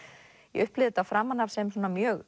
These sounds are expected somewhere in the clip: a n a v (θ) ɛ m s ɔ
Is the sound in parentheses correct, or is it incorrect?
incorrect